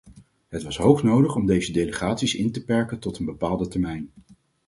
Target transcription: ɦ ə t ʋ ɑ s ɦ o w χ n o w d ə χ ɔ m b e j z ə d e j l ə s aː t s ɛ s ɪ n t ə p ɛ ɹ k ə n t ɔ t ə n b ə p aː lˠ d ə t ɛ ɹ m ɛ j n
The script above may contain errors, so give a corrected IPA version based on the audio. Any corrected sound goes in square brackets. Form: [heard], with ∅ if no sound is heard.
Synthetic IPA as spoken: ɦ ə t ʋ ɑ s ɦ o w χ n o w d ə χ ɔ m [d] e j z ə d e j l ə [χ] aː t s [i] s ɪ n t ə p ɛ ɹ k ə n t ɔ t ə n b ə p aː lˠ d ə t ɛ ɹ m ɛ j n

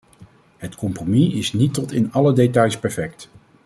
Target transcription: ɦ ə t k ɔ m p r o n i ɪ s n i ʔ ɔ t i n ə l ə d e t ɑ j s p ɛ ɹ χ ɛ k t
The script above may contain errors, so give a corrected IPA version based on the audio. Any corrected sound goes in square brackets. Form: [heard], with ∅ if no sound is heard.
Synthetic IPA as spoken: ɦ ə t k ɔ m p r o [m] i ɪ s n i [t] ɔ t [ɪ] n [ɑ] l ə d e t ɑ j s p ɛ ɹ [f] ɛ k t

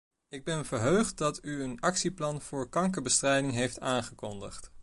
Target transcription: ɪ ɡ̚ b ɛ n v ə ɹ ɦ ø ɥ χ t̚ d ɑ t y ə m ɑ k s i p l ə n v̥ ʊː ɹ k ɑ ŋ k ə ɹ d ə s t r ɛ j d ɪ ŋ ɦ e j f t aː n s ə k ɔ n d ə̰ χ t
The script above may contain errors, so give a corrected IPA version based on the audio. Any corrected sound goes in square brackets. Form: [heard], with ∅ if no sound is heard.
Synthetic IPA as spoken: ɪ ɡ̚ b ɛ n v ə ɹ ɦ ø ɥ χ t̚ d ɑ t y ə [n] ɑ k s i p l [ɑ] n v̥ ʊː ɹ k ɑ ŋ k ə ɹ [b] ə s t r ɛ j d ɪ ŋ ɦ e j f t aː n [χ] ə k ɔ n d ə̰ χ t

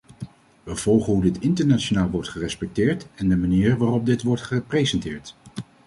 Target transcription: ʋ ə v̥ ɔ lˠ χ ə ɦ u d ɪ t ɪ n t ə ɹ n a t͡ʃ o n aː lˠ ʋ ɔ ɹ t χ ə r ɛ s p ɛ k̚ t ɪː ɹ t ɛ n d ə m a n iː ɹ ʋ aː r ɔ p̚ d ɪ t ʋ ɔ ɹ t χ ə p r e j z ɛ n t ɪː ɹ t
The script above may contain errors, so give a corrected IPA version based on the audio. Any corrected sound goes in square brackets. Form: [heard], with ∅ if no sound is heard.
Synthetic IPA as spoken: ʋ ə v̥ ɔ lˠ χ ə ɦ u d ɪ t ɪ n t ə ɹ n a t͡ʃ o n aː lˠ ʋ ɔ ɹ t χ ə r ɛ s p ɛ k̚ t ɪː ɹ t ɛ n d ə m a n iː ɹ ʋ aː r ɔ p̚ d ɪ t ʋ ɔ ɹ t χ ə p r e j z ɛ n t ɪː ɹ t

